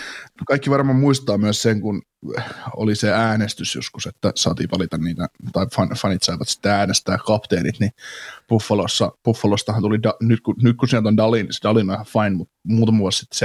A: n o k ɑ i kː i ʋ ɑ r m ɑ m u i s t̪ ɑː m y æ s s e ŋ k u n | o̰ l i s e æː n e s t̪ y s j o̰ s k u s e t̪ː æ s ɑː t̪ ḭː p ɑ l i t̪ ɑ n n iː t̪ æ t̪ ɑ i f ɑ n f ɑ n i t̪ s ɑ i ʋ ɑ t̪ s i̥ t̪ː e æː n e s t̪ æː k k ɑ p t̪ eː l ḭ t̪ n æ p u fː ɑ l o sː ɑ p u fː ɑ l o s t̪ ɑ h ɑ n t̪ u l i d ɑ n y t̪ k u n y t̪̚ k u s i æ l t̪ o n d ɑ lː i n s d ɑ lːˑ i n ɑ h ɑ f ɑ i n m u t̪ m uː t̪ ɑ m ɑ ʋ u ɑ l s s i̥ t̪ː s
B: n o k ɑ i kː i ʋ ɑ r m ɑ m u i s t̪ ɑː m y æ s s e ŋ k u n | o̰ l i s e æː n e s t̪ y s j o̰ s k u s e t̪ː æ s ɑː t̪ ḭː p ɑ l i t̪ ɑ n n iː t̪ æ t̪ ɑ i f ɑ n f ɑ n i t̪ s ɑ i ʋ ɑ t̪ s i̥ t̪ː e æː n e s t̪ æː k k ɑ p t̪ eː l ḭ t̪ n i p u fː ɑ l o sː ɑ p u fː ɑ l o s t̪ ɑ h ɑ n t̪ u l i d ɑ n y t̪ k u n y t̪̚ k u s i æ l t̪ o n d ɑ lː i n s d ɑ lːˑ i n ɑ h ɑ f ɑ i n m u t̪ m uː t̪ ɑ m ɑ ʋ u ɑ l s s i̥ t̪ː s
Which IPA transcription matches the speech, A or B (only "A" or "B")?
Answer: B